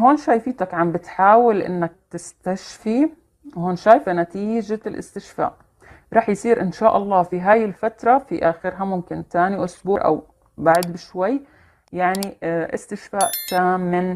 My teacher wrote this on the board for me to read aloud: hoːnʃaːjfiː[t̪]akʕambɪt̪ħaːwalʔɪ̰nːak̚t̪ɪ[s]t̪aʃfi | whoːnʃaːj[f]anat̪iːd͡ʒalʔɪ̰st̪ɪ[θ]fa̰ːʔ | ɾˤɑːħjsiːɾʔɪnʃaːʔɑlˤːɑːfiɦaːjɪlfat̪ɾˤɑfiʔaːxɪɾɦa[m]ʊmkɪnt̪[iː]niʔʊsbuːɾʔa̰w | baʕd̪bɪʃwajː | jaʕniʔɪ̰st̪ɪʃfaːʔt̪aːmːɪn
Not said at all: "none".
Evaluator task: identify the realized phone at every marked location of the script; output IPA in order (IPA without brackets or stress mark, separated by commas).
t̪, s, f, ʃ, m, aː